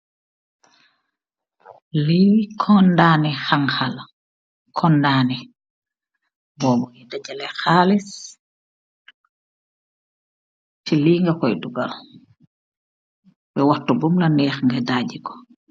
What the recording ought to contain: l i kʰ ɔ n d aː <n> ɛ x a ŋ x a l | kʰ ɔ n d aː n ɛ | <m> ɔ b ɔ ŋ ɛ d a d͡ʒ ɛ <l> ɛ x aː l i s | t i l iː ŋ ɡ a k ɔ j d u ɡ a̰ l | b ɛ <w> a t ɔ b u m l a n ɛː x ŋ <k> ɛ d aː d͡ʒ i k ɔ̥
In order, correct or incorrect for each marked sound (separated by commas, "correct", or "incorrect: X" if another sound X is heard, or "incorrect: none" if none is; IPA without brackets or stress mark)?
correct, incorrect: b, correct, correct, incorrect: ɡ